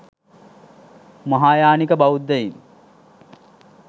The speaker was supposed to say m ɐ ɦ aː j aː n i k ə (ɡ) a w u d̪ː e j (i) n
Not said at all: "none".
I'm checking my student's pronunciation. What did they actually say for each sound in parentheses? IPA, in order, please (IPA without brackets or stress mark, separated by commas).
b, i